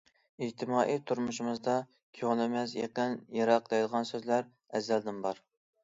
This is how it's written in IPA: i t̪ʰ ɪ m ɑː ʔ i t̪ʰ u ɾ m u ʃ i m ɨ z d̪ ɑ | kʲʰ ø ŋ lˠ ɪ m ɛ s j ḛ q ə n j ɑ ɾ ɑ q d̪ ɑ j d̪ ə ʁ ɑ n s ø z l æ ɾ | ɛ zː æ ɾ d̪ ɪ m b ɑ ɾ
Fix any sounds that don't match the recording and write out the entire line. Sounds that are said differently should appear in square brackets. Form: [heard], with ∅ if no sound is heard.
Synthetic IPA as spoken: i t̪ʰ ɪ m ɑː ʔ i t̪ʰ u ɾ m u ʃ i m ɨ z d̪ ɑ | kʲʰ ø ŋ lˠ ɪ m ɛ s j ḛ q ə n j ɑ ɾ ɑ q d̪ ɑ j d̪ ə ʁ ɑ n s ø z l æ ɾ | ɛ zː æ [l] d̪ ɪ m b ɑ ɾ